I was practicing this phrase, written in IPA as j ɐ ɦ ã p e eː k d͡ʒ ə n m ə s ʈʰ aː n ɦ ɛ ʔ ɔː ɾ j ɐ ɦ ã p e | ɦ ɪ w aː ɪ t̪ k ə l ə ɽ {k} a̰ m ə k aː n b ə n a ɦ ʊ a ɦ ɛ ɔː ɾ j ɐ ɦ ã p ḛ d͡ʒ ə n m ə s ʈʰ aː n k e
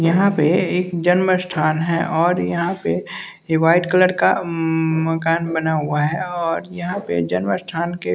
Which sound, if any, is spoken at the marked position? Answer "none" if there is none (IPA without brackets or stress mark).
k